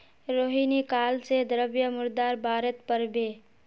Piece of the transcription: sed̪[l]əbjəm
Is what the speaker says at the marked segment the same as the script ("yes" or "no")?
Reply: no